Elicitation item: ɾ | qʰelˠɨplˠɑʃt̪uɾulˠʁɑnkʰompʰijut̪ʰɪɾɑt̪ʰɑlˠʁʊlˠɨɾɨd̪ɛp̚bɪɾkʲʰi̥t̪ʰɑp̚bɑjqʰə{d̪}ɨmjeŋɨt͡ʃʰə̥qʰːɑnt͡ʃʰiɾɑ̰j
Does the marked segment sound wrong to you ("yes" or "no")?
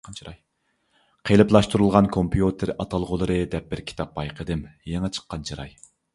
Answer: no